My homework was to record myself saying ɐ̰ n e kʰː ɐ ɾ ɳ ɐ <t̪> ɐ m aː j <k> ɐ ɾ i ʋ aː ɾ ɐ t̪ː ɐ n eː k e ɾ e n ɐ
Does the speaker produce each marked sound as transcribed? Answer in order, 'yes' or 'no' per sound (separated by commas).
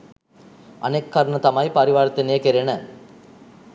yes, no